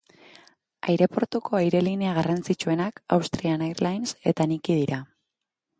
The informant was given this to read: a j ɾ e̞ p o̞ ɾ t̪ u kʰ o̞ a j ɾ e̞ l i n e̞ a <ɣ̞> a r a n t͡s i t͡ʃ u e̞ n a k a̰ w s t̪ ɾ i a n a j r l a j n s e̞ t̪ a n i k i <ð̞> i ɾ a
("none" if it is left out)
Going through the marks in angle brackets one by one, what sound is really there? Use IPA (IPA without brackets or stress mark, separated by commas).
ɣ̞, ð̞